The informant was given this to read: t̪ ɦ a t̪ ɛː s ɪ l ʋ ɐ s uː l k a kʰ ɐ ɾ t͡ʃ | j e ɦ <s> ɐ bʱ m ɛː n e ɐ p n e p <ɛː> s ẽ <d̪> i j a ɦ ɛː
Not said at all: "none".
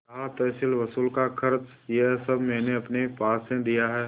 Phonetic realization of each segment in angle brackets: s, aː, d̪

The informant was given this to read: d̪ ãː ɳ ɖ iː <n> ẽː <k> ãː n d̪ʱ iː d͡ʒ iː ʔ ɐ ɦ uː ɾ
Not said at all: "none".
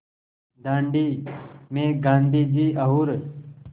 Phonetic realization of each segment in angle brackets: m, ɡ

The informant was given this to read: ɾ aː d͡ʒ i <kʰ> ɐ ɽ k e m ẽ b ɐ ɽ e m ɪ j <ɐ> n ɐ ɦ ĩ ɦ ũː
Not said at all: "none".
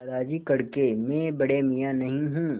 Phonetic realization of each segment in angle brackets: k, a

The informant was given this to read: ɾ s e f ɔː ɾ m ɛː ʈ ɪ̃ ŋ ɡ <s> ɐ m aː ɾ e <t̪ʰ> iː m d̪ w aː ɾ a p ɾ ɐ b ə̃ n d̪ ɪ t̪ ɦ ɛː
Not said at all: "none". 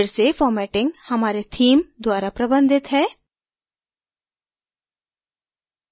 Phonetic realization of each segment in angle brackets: h, t̪ʰ

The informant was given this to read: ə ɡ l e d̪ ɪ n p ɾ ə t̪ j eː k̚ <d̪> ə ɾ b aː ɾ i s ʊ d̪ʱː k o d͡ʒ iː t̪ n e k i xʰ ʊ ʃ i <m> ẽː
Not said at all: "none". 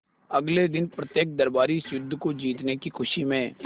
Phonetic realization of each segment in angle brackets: d̪, m

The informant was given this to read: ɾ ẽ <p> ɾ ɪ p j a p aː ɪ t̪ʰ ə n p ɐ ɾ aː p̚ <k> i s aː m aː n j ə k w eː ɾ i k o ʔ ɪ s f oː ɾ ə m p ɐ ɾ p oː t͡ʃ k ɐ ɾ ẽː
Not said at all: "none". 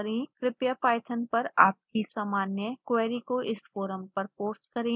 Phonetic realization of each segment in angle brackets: k, k

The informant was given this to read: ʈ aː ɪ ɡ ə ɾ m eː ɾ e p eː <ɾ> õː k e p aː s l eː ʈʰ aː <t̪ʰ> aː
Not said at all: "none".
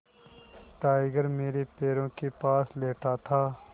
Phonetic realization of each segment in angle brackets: ɾ, t̪ʰ

